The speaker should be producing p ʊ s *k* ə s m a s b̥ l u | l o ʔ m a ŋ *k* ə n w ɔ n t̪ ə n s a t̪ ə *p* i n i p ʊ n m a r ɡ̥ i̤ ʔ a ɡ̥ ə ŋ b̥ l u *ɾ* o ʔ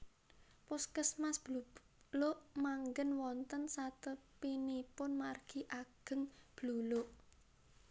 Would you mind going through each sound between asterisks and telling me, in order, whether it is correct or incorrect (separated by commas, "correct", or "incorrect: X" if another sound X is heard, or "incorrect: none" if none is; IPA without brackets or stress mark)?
correct, incorrect: ɡ, correct, incorrect: l